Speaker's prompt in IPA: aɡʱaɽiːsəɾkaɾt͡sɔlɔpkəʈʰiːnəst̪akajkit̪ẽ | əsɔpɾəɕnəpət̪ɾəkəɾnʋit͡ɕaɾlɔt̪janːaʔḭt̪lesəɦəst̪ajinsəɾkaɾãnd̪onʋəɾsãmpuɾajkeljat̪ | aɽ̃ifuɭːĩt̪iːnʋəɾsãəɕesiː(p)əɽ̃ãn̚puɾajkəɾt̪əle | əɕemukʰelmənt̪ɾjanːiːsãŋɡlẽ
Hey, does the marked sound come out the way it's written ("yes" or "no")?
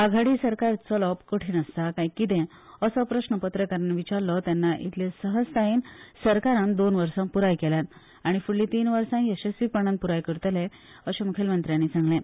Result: yes